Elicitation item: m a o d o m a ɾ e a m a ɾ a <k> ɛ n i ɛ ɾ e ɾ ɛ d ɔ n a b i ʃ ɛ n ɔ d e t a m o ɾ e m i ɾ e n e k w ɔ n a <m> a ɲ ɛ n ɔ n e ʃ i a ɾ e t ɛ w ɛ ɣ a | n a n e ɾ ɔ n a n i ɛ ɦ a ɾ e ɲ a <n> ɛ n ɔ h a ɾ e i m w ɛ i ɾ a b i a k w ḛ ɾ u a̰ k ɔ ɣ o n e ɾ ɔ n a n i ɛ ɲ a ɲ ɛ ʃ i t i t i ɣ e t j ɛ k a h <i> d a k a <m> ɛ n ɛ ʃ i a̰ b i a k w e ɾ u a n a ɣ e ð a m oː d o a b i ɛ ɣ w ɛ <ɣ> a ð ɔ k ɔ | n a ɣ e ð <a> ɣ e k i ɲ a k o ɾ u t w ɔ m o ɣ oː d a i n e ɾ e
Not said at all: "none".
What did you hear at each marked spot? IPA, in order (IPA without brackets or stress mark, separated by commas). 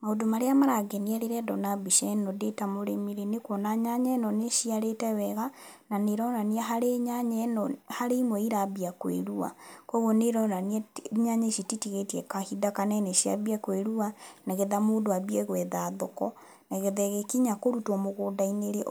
ɡ, ɲ, ɲ, i, n, ð, ɛ